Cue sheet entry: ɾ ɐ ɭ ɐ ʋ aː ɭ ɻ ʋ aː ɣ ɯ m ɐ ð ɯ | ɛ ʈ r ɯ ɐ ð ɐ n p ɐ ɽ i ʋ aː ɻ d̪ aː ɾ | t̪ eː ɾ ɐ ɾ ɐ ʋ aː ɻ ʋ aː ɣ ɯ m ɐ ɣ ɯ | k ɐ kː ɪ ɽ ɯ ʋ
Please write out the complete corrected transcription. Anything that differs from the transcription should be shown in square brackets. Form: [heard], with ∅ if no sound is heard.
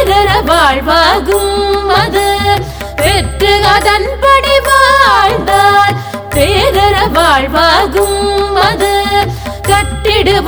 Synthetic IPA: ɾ ɐ [ɾ] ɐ ʋ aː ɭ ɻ ʋ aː ɣ ɯ m ɐ ð ɯ | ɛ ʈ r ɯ ɐ ð ɐ n p ɐ ɽ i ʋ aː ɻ d̪ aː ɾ | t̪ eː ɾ ɐ ɾ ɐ ʋ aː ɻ ʋ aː ɣ ɯ m ɐ [ð] ɯ | k ɐ [ʈː] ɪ ɽ ɯ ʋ